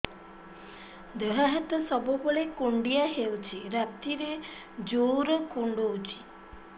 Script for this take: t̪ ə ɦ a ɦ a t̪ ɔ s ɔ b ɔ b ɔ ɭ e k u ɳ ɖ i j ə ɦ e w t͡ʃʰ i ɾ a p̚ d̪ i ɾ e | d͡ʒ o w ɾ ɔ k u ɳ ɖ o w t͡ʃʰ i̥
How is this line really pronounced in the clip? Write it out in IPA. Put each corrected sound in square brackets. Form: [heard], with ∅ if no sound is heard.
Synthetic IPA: [d̪] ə ɦ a ɦ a t̪ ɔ s ɔ b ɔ b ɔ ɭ e k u ɳ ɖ i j [a] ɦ e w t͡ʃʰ i ɾ a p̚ [t̪] i ɾ e | d͡ʒ o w ɾ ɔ k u ɳ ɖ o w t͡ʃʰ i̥